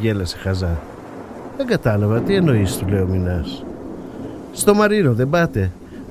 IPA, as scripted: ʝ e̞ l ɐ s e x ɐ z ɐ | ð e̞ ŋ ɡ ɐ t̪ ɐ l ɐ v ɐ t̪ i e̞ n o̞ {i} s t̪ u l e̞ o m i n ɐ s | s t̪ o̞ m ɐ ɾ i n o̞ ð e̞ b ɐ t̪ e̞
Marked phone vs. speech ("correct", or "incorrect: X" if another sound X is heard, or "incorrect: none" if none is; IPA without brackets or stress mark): correct